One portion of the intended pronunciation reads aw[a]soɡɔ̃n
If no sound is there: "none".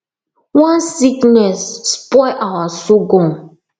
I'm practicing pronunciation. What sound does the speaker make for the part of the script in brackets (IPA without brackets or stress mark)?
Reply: a